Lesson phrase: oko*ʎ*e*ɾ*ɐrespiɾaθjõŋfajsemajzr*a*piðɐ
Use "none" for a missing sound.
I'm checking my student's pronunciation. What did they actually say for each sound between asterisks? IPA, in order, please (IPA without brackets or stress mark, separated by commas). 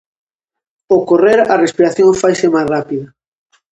r, ɾ, a